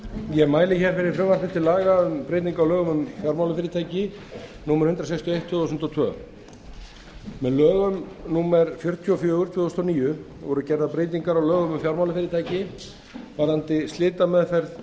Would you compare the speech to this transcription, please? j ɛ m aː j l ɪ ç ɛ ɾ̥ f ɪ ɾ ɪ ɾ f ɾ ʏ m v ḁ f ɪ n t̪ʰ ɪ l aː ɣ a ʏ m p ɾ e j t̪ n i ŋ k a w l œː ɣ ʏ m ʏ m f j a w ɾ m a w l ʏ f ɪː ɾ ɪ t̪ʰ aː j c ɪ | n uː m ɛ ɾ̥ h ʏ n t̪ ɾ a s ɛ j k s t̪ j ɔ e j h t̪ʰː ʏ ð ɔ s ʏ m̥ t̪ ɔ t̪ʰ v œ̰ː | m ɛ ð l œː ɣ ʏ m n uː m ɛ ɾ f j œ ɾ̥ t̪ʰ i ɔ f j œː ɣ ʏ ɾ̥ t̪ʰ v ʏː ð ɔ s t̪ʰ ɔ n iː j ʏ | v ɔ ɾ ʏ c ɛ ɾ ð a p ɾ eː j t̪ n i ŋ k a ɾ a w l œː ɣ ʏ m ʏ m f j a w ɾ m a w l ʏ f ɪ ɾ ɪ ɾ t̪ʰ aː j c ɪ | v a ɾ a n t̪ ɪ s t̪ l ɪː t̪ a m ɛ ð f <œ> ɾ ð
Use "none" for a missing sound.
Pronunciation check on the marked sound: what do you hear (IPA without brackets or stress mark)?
ɛ